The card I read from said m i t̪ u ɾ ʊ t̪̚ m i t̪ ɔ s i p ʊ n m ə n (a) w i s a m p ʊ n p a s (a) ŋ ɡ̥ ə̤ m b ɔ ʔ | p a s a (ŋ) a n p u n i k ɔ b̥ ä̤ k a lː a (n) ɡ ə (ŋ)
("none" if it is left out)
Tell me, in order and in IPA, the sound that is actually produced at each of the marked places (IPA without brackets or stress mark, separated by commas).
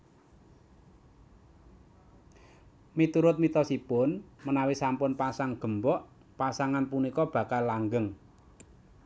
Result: a, a, ŋ, ŋ, ŋ